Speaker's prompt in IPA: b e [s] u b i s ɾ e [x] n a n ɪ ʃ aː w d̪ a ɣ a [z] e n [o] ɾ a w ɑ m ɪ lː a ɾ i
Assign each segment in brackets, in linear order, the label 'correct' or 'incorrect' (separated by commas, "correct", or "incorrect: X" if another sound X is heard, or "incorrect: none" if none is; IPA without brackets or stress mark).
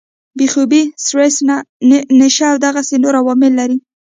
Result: incorrect: x, incorrect: s, incorrect: s, correct